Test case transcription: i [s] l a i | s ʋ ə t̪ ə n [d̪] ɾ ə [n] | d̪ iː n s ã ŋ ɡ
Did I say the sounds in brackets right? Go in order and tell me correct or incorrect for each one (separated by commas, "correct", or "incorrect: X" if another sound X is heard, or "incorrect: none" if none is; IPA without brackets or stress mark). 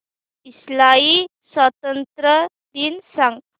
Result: correct, incorrect: t̪, incorrect: none